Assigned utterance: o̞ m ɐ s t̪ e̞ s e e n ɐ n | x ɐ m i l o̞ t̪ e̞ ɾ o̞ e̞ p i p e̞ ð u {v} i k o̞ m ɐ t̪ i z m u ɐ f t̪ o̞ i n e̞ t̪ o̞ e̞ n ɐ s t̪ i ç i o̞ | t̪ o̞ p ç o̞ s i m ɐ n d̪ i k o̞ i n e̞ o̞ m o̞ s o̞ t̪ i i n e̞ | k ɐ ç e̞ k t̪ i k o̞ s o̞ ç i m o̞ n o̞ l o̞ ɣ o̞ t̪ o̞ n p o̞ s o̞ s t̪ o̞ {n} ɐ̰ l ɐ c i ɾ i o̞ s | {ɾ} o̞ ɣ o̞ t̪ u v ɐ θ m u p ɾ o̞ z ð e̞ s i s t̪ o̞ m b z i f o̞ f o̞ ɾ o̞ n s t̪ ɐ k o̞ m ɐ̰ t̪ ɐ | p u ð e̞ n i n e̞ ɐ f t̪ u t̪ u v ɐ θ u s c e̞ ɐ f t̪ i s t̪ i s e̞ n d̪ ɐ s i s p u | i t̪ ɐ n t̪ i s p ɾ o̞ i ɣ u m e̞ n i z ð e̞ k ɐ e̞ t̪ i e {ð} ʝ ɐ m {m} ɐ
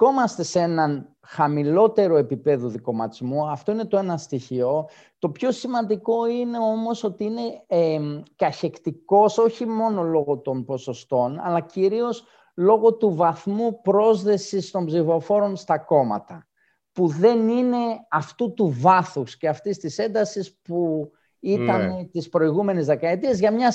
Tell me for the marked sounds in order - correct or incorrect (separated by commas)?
incorrect, correct, incorrect, incorrect, incorrect